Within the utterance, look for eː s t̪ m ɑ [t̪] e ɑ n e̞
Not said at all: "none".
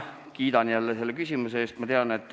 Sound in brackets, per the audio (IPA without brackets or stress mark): t̪